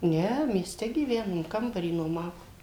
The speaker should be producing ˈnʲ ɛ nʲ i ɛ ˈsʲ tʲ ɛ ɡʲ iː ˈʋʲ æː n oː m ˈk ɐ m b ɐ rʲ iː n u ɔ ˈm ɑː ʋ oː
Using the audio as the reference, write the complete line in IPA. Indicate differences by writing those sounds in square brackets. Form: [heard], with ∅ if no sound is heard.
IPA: ˈnʲ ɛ [mʲ] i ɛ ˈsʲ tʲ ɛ ɡʲ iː ˈʋʲ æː n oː m ˈk ɐ m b ɐ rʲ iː n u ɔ ˈm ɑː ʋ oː